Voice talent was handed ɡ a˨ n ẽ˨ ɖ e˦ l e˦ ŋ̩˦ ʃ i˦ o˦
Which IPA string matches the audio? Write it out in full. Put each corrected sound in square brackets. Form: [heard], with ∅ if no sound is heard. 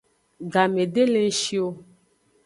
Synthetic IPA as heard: ɡ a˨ [m] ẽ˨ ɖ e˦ l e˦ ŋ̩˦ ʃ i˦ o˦